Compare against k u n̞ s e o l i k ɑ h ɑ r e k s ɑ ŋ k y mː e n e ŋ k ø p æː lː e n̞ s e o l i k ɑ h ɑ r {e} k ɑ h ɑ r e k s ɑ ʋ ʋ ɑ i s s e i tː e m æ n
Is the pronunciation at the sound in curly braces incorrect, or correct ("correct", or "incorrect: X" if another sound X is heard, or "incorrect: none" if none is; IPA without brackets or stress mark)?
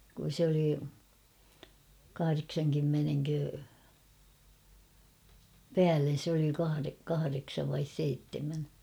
correct